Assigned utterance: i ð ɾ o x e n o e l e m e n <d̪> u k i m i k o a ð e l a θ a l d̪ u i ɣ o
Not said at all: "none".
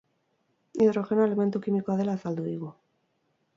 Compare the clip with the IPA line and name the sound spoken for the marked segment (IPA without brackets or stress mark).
t̪